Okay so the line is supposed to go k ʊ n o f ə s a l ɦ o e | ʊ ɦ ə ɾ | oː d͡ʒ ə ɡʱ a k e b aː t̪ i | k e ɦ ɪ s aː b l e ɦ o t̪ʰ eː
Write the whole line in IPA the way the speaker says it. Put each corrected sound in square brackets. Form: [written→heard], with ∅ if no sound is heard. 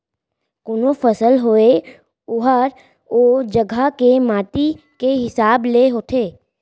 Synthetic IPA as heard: k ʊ n o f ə s [a→ə] l ɦ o e | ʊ ɦ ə ɾ | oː d͡ʒ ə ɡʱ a k e [b→m] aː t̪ i | k e ɦ ɪ s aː b l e ɦ o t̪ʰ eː